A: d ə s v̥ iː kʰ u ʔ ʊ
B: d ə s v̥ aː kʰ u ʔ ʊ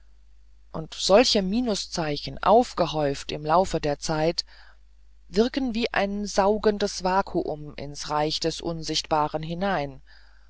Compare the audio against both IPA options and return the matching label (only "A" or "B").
B